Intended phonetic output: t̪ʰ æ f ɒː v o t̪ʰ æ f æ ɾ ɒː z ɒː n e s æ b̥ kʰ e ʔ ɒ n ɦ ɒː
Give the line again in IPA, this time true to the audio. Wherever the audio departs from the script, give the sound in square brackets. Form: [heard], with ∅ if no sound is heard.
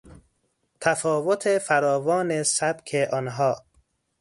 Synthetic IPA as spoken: t̪ʰ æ f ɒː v o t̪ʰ [e] f æ ɾ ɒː [v] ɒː n e s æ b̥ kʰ e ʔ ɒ n ɦ ɒː